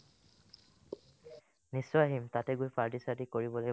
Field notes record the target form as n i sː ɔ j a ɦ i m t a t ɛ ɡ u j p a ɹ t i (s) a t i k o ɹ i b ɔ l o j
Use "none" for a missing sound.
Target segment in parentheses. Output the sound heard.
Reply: s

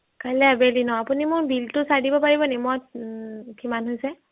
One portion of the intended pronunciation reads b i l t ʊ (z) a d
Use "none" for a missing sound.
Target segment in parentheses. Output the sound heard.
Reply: s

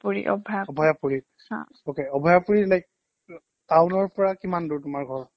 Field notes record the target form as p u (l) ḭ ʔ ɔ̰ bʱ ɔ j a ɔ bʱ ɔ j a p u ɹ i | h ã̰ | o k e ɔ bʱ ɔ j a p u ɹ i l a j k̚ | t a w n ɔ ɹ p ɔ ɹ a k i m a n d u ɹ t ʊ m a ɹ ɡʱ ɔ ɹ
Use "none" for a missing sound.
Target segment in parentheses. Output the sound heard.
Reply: ɹ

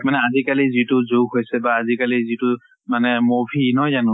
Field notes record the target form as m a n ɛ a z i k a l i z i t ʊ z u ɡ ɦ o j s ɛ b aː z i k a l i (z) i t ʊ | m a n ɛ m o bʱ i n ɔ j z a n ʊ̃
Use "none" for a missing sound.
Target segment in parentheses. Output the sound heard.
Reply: z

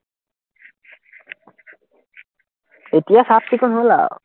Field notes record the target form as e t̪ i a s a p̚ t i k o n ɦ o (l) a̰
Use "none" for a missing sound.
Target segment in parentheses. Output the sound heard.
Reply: l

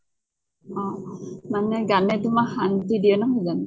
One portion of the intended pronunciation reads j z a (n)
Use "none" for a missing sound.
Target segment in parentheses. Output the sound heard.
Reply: n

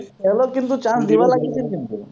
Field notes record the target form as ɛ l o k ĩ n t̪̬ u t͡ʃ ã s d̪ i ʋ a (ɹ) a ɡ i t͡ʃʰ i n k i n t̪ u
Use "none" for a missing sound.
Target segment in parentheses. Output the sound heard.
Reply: l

